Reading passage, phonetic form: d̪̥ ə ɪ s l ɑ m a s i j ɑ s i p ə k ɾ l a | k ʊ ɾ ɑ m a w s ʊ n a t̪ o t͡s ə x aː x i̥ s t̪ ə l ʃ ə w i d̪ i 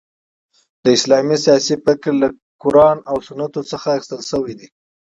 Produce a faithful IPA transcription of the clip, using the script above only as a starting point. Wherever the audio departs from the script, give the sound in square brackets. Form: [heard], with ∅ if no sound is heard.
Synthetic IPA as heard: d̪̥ ə ɪ s l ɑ m [i] s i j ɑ s i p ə k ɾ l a | k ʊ ɾ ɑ [n] a w s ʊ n a t̪ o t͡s ə x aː x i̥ s t̪ ə l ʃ ə w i d̪ i